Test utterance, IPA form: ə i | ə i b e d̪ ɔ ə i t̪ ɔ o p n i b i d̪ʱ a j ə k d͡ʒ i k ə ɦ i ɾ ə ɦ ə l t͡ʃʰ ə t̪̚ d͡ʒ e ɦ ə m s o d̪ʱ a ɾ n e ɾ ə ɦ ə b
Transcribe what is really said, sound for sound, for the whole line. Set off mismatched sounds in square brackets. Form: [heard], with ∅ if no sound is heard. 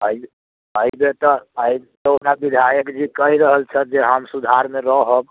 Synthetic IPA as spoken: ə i | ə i b e [t̪] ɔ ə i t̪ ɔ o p n [a] b i d̪ʱ a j ə k d͡ʒ i k ə ɦ i ɾ ə ɦ ə l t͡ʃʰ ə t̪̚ d͡ʒ e ɦ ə m s [u] d̪ʱ a ɾ [m] e ɾ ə ɦ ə b